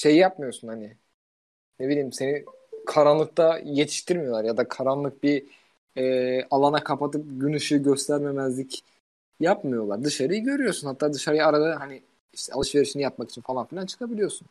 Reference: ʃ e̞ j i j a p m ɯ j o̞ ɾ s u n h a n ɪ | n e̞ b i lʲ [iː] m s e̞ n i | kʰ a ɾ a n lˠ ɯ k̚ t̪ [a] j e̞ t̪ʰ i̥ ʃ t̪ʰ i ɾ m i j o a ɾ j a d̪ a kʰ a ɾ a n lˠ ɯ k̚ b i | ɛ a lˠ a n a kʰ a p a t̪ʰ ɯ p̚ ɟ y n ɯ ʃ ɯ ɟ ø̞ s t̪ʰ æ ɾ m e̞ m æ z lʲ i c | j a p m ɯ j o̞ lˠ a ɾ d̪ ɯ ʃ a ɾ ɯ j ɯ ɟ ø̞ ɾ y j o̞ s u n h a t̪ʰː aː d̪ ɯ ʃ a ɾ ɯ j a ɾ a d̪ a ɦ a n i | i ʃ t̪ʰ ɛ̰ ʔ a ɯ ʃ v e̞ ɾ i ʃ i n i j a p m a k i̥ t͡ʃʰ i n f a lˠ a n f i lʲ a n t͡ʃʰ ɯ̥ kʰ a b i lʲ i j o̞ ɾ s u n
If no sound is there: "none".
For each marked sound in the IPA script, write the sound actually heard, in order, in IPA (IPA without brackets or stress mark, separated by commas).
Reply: iː, a